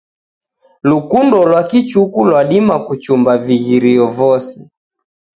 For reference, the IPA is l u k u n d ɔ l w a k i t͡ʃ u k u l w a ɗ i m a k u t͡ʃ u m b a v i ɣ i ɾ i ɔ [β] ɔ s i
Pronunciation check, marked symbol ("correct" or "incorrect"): incorrect